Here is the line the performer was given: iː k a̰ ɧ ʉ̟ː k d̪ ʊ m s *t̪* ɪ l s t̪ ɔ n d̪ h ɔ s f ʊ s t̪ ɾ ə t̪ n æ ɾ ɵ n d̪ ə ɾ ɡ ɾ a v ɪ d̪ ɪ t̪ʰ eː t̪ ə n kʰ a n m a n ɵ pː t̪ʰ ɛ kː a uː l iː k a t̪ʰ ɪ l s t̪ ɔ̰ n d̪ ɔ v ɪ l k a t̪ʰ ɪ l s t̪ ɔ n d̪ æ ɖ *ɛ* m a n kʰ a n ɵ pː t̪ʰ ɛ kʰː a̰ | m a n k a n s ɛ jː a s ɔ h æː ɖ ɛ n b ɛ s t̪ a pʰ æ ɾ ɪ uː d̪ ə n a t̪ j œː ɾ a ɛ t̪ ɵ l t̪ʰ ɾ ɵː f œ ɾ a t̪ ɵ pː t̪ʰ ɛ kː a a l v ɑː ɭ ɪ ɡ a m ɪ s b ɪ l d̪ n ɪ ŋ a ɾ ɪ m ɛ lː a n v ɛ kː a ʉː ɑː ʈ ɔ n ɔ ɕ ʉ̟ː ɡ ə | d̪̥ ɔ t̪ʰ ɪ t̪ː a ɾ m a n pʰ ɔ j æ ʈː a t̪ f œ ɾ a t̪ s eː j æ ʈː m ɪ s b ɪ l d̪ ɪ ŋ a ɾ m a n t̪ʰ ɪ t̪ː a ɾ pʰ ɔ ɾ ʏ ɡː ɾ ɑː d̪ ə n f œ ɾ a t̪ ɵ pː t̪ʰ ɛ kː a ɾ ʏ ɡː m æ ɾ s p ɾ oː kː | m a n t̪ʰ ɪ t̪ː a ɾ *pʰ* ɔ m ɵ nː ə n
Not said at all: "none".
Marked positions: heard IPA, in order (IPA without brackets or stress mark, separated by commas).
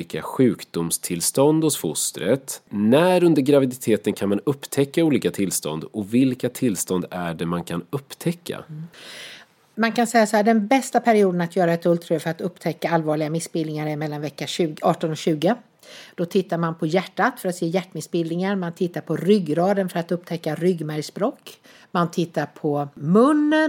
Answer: t̪ʰ, ɛ, pʰ